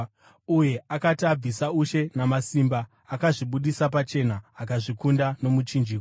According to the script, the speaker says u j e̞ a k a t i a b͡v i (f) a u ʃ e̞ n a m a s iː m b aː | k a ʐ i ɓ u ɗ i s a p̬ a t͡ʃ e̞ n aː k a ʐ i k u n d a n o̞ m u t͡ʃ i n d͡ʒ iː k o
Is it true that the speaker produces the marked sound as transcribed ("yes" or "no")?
no